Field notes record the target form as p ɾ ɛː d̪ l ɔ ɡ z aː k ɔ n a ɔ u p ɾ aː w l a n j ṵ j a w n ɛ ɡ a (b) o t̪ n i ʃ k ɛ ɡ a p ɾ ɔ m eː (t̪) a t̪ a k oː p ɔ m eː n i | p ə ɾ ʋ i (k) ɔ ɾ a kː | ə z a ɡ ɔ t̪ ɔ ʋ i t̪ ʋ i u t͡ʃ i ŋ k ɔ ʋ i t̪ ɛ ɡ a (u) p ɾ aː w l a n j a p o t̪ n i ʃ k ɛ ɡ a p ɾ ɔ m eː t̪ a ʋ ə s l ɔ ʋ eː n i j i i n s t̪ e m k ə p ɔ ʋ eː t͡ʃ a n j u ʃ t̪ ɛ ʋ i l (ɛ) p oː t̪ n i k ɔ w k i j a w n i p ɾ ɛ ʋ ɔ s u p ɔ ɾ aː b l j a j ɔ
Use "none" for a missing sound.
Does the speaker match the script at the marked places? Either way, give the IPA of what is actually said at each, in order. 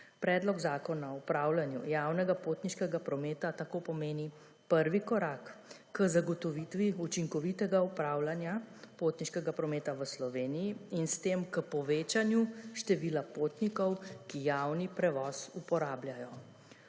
p, t̪, k, u, a

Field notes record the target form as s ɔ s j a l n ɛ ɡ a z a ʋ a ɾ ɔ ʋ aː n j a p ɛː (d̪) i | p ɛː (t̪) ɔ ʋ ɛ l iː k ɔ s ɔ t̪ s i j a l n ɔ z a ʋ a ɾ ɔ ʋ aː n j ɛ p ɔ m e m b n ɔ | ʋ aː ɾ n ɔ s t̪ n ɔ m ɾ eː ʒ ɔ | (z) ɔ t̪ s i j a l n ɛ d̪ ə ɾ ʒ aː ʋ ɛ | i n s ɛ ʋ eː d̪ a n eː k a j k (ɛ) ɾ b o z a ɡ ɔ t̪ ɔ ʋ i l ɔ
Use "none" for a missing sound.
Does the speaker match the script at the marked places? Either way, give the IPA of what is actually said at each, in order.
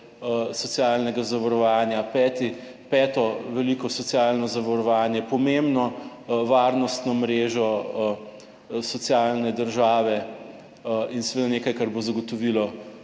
t̪, t̪, s, a

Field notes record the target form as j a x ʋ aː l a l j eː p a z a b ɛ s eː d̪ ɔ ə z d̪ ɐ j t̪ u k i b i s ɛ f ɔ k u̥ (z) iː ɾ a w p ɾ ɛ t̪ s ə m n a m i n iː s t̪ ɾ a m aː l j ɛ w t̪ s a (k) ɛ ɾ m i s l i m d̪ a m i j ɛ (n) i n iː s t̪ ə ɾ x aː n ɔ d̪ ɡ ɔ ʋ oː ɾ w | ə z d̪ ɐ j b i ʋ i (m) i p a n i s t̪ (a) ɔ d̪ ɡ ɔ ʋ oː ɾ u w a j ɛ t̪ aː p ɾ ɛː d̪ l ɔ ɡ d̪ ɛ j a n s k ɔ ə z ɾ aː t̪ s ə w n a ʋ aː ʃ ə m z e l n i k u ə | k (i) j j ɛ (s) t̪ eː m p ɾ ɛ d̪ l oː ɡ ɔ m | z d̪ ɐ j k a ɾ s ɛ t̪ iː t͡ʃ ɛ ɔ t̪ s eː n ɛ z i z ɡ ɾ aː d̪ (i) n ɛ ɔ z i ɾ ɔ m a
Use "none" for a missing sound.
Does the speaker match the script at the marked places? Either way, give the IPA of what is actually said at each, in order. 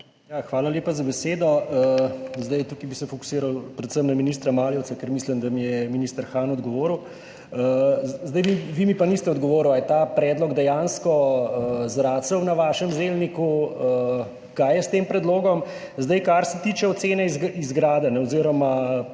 s, k, m, m, ɛ, a, s, ɛ

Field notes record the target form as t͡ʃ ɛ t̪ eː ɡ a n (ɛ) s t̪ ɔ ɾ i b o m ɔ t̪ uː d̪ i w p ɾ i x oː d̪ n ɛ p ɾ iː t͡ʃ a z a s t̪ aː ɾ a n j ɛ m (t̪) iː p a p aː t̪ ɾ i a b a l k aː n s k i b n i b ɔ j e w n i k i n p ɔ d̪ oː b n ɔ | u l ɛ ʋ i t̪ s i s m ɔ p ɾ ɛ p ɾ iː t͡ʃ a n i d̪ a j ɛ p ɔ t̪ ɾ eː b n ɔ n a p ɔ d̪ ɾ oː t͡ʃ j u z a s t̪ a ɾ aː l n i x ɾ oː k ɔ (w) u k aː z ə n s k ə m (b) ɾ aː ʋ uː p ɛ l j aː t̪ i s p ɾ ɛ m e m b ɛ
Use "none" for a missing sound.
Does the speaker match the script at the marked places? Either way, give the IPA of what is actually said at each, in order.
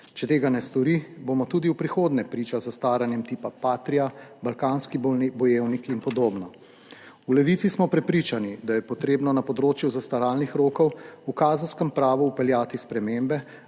ɛ, t̪, w, p

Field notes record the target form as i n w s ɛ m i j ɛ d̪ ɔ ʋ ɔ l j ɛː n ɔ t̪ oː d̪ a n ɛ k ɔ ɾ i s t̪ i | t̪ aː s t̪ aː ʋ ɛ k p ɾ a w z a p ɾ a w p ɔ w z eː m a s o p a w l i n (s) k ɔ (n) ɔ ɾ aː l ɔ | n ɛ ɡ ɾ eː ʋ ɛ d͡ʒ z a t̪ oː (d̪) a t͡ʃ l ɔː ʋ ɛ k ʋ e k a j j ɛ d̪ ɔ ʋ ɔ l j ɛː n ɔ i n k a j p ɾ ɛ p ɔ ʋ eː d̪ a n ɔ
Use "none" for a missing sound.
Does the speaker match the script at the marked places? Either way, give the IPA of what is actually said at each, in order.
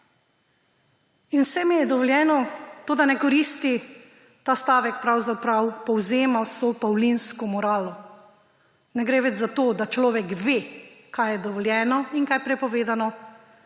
s, m, d̪

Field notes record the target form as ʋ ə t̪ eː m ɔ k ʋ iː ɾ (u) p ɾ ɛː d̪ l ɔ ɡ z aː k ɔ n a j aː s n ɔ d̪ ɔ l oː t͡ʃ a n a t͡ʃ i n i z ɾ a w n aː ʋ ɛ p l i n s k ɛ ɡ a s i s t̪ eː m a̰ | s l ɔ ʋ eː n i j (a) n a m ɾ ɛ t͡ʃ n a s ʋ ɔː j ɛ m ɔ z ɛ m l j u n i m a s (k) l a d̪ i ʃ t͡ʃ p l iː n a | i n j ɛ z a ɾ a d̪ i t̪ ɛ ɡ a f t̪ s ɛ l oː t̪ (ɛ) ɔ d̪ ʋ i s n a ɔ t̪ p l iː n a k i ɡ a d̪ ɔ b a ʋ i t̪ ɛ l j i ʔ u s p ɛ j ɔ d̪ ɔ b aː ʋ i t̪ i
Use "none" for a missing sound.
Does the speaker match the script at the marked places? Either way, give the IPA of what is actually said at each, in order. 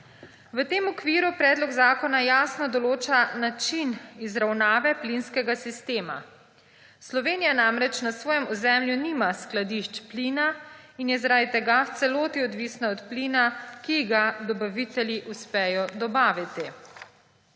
u, a, k, i

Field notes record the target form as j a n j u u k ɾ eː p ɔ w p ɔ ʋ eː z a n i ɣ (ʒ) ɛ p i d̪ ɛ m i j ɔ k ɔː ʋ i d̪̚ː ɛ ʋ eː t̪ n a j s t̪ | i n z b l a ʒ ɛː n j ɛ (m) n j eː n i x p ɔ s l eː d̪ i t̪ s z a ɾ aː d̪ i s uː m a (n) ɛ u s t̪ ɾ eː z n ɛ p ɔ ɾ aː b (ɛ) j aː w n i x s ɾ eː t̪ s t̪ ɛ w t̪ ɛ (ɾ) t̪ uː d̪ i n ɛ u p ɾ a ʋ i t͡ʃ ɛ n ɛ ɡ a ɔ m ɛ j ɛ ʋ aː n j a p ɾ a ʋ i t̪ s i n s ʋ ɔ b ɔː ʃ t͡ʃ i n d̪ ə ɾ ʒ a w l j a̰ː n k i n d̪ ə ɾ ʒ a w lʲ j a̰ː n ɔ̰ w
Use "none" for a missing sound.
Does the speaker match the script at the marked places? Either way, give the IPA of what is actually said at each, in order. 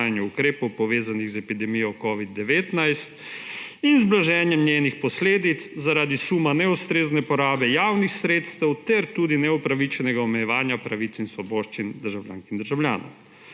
z, m, n, ɛ, ɾ

